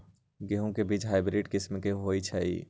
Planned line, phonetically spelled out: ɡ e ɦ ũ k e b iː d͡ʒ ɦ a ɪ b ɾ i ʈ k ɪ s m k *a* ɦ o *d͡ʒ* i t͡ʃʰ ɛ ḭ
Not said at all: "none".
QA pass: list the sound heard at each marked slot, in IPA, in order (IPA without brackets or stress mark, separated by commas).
e, none